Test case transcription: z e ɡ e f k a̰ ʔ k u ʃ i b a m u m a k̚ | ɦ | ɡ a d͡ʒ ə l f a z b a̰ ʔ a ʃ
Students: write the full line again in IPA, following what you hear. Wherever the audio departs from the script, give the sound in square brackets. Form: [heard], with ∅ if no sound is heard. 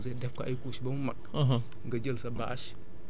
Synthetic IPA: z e [d] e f k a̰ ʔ k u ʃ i b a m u m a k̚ | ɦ | ɡ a d͡ʒ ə l [s] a [∅] b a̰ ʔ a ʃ